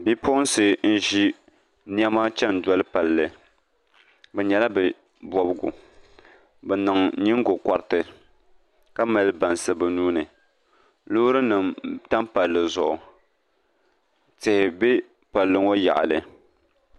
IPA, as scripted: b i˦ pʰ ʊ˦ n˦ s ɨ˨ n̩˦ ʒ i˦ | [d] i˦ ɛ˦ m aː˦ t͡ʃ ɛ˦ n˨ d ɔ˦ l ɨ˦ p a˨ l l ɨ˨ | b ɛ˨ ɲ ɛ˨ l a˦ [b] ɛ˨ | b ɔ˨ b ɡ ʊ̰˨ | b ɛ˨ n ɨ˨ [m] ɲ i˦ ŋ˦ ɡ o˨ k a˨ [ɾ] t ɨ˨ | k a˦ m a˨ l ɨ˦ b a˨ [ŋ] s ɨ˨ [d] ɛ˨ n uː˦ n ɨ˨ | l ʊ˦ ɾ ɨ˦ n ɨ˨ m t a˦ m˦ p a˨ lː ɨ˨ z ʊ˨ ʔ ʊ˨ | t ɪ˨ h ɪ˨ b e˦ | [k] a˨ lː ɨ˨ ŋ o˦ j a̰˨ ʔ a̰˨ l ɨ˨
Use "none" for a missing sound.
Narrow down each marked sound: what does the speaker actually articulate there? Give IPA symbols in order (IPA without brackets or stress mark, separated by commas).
n, b, ŋ, ɾ, n, b, p